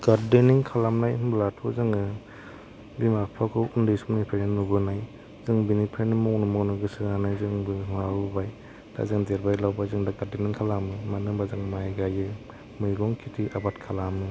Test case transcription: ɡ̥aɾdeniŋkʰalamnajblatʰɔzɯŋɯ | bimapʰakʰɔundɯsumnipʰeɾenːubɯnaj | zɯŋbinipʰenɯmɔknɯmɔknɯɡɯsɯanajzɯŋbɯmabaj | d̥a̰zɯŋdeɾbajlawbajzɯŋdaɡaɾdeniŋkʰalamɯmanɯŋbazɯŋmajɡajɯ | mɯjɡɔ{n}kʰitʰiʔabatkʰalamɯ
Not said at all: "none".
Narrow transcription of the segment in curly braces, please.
ŋ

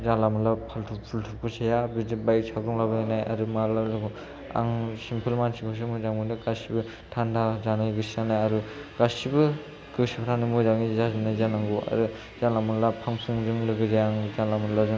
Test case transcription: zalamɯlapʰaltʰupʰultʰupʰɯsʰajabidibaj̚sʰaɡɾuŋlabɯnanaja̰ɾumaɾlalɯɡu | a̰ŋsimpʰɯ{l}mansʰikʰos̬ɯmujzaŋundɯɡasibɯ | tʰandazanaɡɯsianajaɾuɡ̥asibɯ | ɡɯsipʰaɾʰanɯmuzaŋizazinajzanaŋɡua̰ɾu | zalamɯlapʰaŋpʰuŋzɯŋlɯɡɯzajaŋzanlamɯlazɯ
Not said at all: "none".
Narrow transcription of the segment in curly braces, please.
l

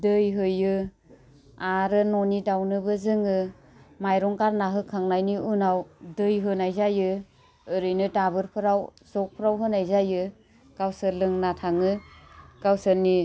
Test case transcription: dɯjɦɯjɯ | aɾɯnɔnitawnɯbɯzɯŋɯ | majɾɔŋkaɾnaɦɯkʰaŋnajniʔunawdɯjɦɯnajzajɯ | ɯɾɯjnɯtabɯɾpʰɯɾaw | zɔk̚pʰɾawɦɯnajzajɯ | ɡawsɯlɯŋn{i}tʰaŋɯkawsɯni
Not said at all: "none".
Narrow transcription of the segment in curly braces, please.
a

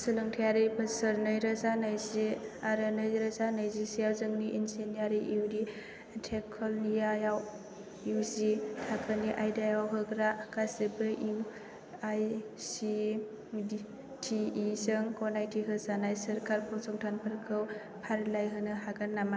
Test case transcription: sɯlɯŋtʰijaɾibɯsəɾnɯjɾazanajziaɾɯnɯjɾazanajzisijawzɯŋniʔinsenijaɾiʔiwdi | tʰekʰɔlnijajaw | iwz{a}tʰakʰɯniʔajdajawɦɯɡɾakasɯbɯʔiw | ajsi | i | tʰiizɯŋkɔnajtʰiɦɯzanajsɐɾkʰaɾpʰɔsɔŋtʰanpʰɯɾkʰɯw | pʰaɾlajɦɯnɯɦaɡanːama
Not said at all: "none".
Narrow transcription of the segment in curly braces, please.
i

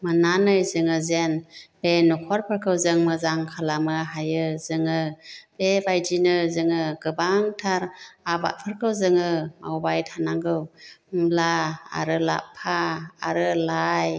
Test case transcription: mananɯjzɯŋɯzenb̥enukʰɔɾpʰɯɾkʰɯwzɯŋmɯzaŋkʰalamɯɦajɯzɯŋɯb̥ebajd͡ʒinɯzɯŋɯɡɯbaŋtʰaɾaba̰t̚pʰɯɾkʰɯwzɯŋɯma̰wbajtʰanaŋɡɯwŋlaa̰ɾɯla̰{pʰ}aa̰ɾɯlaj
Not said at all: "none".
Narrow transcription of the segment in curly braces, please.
pʰ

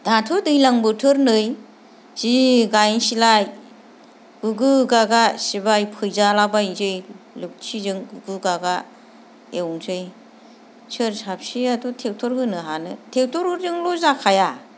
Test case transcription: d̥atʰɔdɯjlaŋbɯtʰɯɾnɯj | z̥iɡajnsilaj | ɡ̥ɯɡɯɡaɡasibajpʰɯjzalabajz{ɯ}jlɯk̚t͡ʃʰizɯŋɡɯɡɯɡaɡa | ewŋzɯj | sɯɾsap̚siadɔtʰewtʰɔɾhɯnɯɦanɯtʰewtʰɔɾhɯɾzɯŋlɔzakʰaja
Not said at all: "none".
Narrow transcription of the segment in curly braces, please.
ɯ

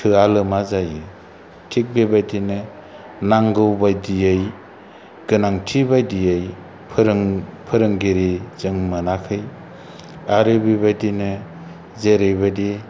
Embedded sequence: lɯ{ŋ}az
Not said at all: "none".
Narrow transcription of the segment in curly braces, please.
m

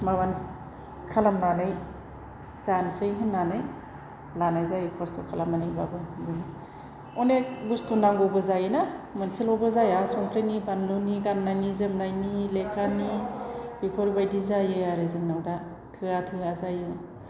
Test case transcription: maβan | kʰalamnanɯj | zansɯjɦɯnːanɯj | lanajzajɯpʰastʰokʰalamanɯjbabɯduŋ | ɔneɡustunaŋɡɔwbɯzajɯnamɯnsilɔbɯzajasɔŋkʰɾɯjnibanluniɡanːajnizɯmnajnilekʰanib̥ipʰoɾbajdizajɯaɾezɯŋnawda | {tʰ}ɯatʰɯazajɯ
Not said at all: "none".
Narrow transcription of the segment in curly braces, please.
tʰ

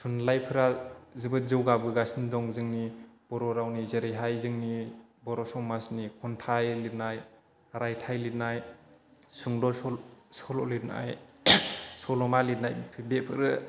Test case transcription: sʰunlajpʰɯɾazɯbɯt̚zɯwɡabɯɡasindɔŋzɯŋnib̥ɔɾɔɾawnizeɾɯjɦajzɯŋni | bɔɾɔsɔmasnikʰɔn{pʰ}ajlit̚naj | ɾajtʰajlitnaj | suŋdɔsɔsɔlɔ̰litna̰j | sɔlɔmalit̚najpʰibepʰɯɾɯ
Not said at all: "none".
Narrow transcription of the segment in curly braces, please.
tʰ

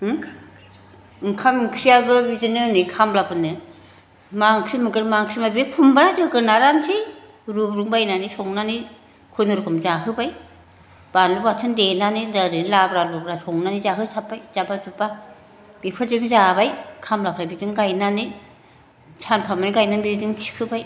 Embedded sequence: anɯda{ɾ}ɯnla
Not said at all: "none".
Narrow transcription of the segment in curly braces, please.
ɾ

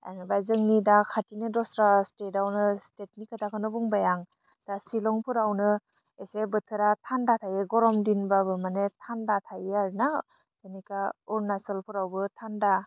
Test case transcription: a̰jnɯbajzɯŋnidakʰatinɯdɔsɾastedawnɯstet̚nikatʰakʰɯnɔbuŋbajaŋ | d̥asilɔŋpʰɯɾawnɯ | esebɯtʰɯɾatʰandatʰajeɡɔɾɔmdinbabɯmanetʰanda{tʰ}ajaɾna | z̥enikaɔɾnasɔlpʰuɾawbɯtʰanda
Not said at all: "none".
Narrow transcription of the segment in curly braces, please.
tʰ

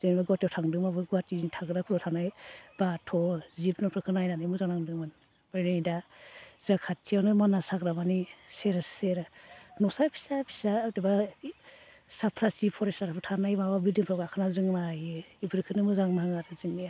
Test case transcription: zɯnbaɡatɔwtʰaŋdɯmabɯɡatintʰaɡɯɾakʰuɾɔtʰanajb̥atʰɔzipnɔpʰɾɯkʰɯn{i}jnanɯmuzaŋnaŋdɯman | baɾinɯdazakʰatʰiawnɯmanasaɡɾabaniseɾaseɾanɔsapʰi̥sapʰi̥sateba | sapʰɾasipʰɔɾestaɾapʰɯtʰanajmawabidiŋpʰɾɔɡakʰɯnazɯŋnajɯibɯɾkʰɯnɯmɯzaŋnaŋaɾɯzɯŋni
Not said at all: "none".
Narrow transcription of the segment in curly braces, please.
a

